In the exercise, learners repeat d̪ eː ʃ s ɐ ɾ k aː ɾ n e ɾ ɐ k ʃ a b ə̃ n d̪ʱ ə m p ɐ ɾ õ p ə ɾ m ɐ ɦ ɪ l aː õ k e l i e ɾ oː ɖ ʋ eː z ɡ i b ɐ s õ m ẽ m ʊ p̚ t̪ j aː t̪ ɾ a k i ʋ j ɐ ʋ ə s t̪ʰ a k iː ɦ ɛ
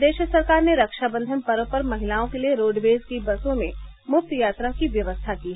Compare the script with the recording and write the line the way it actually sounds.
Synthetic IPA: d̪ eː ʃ s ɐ ɾ k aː ɾ n e ɾ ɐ k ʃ a b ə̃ n d̪ʱ ə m p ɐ ɾ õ p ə ɾ m ɐ ɦ ɪ l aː õ k e l i e ɾ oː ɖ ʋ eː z k i b ɐ s õ m ẽ m ʊ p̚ t̪ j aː t̪ ɾ a k i ʋ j ɐ ʋ ə s t̪ʰ a k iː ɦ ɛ